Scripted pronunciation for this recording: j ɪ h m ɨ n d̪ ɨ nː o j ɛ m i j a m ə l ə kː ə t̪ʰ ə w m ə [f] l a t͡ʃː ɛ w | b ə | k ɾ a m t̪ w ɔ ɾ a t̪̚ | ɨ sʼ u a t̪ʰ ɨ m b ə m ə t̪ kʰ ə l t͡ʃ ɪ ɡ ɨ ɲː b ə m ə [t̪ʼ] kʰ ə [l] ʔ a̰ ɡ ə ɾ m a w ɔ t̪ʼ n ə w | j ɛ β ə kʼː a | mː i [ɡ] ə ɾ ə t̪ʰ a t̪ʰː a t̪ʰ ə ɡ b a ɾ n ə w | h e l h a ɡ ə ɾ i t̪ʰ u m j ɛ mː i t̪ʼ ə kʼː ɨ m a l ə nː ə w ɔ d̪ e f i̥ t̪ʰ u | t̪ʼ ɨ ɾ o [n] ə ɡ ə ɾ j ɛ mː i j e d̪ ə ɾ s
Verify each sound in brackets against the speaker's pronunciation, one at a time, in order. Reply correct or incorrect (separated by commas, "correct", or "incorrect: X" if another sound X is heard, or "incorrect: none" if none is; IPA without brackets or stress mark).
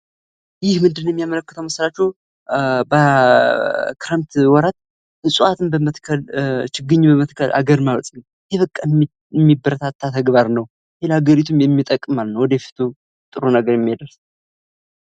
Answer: incorrect: s, incorrect: t̪, correct, incorrect: b, correct